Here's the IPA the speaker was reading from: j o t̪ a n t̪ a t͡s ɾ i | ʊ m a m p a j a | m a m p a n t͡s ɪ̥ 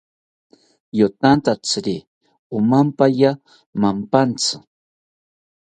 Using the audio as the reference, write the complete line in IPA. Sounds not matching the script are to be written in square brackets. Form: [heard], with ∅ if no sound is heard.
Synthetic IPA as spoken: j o t̪ a n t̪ a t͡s ɾ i | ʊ m a m p a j a | m a m p a n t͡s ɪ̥